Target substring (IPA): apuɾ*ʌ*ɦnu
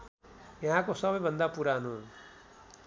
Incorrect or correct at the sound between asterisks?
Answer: incorrect: a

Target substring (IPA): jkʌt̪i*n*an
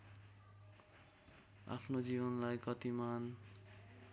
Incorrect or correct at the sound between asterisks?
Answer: incorrect: m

